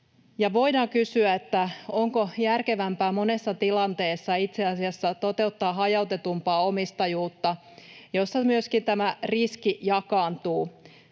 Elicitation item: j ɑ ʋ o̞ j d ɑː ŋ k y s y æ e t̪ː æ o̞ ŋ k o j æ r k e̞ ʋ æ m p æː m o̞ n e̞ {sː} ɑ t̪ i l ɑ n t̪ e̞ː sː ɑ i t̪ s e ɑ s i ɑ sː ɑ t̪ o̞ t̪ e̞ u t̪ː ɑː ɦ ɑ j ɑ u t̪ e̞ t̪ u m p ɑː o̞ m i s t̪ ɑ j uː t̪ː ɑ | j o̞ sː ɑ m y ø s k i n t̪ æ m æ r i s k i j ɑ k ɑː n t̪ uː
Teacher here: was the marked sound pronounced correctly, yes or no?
yes